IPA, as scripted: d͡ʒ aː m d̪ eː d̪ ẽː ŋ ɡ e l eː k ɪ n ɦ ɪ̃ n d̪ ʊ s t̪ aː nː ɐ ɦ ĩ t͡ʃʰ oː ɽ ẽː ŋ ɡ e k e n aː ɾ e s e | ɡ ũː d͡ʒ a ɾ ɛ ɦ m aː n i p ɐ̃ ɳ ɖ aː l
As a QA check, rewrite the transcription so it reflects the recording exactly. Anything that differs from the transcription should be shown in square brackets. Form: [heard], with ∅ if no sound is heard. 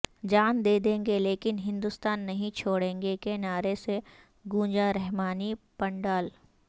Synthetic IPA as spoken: d͡ʒ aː [n] d̪ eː d̪ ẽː ŋ ɡ e l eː k ɪ n ɦ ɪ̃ n d̪ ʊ s t̪ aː nː ɐ ɦ ĩ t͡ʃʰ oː ɽ ẽː ŋ ɡ e k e n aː ɾ e s e | ɡ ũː d͡ʒ a ɾ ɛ ɦ m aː n i p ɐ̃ ɳ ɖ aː l